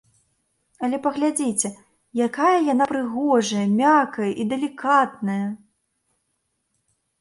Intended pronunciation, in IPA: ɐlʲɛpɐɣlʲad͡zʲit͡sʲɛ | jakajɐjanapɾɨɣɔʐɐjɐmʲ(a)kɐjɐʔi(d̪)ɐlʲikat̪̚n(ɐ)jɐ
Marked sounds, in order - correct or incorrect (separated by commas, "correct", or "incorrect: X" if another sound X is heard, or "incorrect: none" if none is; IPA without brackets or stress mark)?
correct, correct, correct